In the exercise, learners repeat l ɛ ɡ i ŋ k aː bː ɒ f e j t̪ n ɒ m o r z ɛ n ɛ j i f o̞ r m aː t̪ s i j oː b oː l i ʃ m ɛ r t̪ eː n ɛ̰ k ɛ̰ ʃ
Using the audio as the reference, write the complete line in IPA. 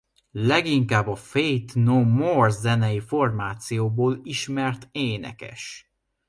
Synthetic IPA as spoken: l ɛ ɡ i ŋ k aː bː ɒ f e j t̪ n o m o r z ɛ n ɛ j i f o̞ r m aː t̪ s i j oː b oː l i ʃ m ɛ r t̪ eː n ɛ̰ k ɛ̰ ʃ